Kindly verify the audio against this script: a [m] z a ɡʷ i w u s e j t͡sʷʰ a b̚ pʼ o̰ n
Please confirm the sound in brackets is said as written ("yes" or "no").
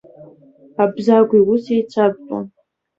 no